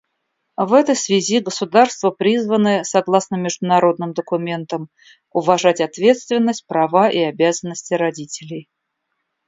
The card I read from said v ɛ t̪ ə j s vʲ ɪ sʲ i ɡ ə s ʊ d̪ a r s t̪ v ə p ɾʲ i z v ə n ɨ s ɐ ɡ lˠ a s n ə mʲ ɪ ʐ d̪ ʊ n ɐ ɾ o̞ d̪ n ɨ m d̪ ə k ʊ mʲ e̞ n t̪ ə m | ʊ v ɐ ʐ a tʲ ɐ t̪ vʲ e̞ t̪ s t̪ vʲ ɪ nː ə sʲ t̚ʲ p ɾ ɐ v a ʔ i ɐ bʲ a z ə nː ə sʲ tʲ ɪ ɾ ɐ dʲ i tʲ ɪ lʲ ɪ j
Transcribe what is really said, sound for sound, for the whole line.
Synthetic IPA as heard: v ɛ t̪ ə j s vʲ ɪ zʲ i ɡ ə s ʊ d̪ a r s t̪ v ə p ɾʲ i z v ə n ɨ s ɐ ɡ lˠ a s n ə mʲ ɪ ʐ d̪ ʊ n ɐ ɾ o̞ d̪ n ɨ m d̪ ə k ʊ mʲ e̞ n t̪ ə m | ʊ v ɐ ʐ a tʲ ɐ t̪ vʲ e̞ t̪ s t̪ vʲ ɪ nː ə sʲ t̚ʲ p ɾ ɐ v a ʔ i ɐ bʲ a z ə nː ə sʲ tʲ ɪ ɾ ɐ dʲ i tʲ ɪ lʲ ɪ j